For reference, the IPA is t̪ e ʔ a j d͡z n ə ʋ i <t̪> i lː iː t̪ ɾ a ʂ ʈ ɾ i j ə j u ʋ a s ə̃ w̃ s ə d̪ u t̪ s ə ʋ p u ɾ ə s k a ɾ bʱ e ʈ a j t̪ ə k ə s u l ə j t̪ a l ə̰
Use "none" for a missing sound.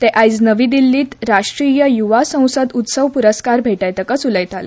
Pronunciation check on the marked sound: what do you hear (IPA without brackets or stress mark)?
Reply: d̪